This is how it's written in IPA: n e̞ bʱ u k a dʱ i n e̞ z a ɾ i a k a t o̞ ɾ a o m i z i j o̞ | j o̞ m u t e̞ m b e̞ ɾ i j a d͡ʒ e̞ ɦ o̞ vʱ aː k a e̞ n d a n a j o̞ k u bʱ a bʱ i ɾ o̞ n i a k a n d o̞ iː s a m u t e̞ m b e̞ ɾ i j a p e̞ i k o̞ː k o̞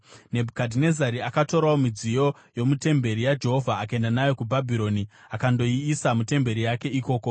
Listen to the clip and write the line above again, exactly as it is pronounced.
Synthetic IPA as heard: n e̞ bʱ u k a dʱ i n e̞ z a ɾ i a k a t o̞ ɾ a o m i d͡z i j o̞ | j o̞ m u t e̞ m b e̞ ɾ i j a d͡ʒ e̞ ɦ o̞ vʱ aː k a e̞ n d a n a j o̞ k u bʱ a bʱ i ɾ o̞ n i a k a n d o̞ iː s a m u t e̞ m b e̞ ɾ i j a k e̞ i k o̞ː k o̞